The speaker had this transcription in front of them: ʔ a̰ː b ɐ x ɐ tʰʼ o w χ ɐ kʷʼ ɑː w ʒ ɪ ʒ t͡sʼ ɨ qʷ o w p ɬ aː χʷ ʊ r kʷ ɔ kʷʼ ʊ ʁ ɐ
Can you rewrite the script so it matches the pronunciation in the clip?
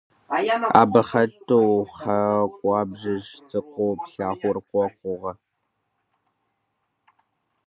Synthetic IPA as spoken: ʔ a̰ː b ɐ χ ɐ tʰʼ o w χ ɐ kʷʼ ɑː b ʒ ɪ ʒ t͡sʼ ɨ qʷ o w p ɬ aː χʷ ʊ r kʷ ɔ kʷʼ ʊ ʁ ɐ

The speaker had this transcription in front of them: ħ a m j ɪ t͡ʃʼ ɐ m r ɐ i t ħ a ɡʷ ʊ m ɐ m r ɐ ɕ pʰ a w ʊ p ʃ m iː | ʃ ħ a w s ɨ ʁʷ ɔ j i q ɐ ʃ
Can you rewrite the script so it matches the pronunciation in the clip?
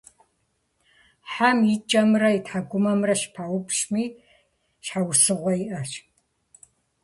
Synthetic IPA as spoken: ħ a m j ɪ t͡ʃʼ ɐ m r ɐ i t ħ a ɡʷ ʊ m ɐ m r ɐ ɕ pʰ a w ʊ p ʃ m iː | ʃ ħ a w s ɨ ʁʷ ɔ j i ʔ ɐ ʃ

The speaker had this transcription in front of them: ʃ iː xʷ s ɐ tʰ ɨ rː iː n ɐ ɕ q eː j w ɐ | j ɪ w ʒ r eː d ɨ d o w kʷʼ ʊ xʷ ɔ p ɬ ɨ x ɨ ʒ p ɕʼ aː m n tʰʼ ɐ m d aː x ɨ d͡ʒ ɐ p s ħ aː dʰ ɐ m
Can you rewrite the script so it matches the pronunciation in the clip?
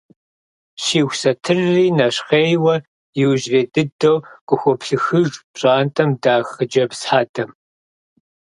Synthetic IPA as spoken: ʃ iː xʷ s ɐ tʰ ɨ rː iː n ɐ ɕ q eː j w ɐ | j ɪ w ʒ r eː d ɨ d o w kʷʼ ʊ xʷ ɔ p ɬ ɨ x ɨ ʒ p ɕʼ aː n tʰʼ ɐ m d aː x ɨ d͡ʒ ɐ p s ħ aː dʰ ɐ m

